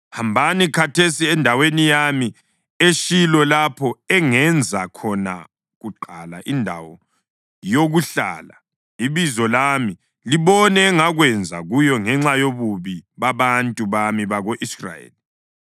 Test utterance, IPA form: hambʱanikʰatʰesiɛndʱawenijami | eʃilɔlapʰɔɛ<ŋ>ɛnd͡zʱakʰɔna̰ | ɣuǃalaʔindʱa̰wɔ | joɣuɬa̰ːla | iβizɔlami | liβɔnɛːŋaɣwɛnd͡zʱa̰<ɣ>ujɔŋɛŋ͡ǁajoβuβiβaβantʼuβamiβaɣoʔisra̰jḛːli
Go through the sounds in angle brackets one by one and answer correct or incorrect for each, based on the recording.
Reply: correct, correct

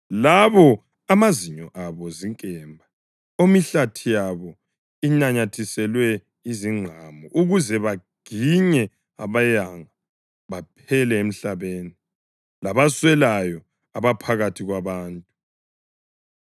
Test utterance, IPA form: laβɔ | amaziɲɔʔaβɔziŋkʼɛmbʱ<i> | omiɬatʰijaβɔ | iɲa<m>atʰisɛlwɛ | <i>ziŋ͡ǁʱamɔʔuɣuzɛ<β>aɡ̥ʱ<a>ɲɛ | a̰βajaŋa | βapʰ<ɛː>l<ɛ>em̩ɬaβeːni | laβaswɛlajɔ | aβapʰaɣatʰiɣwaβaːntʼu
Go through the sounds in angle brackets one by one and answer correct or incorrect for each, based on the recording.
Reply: incorrect, incorrect, correct, correct, incorrect, incorrect, correct

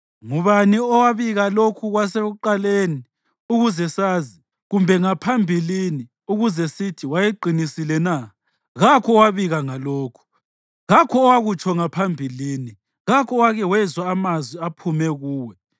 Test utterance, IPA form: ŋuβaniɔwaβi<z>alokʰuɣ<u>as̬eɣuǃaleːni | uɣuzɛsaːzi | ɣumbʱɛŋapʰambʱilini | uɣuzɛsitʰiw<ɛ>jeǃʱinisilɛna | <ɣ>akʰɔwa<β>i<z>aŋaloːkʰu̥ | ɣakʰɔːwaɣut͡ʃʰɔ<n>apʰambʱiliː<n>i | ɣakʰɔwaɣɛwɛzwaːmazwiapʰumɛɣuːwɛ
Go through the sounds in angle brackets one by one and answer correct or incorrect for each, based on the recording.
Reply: incorrect, incorrect, incorrect, correct, correct, incorrect, incorrect, correct

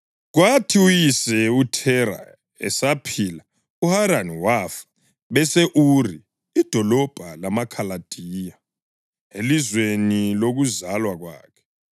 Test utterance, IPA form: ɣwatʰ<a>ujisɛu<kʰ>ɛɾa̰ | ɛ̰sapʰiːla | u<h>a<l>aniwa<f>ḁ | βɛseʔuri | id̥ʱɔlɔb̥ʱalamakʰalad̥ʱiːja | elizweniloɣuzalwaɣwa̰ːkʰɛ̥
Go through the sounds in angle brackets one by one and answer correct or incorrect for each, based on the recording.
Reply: incorrect, incorrect, correct, incorrect, correct

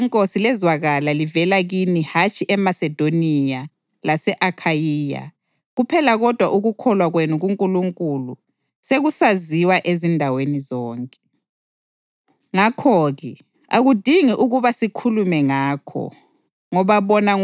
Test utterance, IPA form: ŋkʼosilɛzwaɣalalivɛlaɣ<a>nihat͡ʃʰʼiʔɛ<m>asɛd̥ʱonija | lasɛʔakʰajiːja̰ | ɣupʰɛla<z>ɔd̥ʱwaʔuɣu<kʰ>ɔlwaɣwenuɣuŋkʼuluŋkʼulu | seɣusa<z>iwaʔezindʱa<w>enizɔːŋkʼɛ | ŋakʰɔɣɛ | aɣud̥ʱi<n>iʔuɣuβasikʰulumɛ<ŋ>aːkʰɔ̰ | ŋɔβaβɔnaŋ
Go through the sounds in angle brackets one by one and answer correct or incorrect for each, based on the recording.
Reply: incorrect, correct, incorrect, correct, correct, correct, incorrect, correct

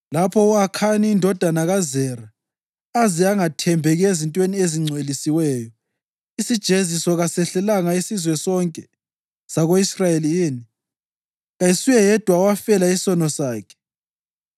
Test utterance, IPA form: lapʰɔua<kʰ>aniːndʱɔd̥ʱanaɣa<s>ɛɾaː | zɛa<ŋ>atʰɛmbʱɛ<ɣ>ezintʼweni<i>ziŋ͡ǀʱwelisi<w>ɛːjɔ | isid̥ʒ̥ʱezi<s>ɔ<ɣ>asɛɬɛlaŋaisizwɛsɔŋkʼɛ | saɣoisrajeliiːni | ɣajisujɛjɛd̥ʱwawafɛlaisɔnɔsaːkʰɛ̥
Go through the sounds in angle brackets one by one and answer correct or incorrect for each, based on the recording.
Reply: correct, incorrect, correct, correct, incorrect, correct, correct, correct

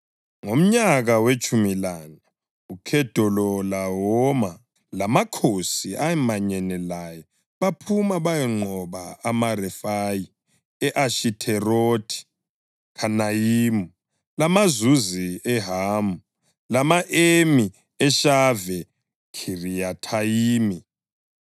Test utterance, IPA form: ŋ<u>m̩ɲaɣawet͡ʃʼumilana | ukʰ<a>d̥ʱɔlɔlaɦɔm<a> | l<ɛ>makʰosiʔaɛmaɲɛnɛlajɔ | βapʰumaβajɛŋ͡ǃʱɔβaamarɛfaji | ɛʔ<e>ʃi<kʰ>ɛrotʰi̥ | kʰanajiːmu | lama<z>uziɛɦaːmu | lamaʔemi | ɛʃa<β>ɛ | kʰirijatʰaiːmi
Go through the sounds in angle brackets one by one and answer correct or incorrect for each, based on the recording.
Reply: incorrect, incorrect, correct, incorrect, incorrect, incorrect, correct, incorrect

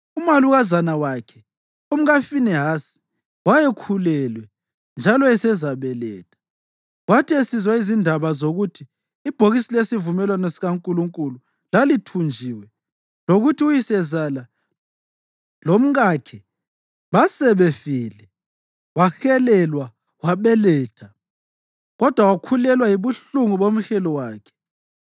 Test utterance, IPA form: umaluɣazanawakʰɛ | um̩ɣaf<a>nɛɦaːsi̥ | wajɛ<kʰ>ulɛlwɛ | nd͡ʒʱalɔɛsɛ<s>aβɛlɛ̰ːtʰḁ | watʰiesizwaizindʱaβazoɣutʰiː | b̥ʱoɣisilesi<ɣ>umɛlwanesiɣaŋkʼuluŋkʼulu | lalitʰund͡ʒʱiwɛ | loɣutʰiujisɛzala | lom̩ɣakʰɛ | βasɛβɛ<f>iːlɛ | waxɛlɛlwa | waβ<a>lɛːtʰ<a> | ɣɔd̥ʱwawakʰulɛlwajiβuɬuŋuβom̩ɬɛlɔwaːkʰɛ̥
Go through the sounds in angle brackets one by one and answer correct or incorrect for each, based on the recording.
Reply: incorrect, correct, incorrect, incorrect, correct, incorrect, correct

